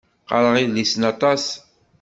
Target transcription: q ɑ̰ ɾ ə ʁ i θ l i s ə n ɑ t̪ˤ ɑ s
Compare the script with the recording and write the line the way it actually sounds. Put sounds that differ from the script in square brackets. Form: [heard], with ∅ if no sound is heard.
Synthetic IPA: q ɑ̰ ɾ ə ʁ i [ð] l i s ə n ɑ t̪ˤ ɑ s